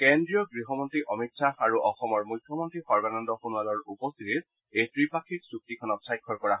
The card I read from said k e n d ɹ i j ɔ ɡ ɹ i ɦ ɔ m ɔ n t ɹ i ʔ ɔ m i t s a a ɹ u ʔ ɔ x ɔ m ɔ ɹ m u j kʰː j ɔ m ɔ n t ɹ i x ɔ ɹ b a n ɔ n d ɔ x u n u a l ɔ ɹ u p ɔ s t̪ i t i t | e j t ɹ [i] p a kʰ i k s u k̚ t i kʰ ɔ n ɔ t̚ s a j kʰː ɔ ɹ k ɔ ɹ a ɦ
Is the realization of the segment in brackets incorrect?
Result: no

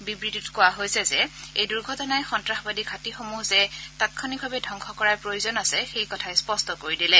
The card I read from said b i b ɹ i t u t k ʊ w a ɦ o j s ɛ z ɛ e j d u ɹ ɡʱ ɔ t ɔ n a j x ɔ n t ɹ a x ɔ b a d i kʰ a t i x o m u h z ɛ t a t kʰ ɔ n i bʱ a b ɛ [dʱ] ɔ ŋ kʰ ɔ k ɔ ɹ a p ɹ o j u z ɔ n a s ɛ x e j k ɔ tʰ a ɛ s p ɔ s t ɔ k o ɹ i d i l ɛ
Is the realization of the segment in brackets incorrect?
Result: no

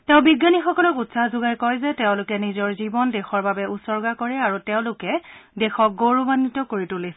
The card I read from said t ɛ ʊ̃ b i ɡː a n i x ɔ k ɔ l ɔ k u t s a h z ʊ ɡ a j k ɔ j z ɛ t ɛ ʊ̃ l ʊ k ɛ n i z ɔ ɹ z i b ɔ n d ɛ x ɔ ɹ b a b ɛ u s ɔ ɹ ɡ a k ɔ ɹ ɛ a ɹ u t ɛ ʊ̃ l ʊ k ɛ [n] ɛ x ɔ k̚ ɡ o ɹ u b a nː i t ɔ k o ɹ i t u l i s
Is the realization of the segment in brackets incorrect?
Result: yes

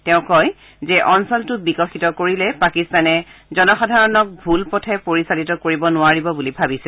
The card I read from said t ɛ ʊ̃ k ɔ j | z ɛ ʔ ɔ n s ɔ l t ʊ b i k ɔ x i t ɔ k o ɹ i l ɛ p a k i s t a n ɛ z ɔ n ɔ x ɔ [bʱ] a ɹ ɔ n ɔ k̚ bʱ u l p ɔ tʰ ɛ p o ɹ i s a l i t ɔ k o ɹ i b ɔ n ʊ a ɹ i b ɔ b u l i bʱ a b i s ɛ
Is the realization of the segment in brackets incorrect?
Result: yes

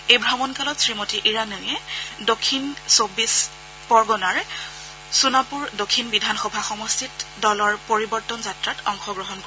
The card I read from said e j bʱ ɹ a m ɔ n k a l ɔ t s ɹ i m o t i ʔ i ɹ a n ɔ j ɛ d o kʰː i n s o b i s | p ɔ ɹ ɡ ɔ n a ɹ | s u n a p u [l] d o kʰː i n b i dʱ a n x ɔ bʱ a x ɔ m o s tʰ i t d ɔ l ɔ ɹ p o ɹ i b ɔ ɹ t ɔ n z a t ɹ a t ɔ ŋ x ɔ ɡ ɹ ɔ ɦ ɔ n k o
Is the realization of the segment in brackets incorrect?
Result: yes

